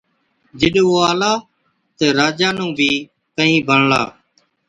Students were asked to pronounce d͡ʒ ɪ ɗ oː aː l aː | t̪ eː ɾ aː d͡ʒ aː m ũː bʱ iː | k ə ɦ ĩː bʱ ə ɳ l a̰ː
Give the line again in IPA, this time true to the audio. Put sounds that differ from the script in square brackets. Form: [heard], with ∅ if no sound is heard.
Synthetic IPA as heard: d͡ʒ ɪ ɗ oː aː l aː | t̪ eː ɾ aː d͡ʒ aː [n] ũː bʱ iː | k ə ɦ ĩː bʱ ə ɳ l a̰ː